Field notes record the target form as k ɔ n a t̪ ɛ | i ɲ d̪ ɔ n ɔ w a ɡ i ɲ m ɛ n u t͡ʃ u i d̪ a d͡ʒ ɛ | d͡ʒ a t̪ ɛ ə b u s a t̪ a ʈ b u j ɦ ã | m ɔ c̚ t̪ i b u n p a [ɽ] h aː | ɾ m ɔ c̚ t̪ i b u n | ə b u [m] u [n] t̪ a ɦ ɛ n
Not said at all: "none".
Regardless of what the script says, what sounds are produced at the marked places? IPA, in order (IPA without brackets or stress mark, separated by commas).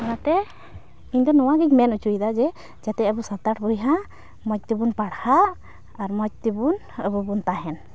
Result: ɽ, b, n